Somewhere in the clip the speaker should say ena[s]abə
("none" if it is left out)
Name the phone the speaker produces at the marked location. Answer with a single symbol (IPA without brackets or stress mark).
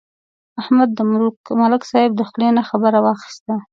x